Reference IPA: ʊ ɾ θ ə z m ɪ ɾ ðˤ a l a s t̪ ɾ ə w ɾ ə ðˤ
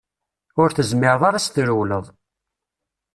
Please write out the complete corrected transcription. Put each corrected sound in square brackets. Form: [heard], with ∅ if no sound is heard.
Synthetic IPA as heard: ʊ ɾ θ ə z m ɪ ɾ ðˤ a [ɾ] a s t̪ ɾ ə w [l] ə ðˤ